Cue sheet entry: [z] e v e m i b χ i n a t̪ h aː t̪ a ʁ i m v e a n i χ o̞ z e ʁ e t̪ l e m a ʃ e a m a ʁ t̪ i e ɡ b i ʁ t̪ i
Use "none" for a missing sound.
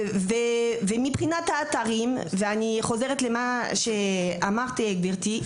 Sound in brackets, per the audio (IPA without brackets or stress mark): v